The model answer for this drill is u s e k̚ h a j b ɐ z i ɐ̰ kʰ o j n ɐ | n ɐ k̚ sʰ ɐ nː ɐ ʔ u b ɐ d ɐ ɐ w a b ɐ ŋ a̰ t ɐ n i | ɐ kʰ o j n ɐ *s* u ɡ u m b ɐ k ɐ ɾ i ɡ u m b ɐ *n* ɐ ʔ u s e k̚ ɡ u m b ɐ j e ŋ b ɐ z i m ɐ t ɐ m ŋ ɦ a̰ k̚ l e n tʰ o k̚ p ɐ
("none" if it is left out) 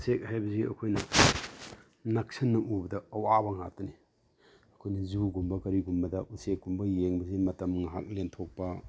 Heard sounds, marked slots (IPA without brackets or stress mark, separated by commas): z, d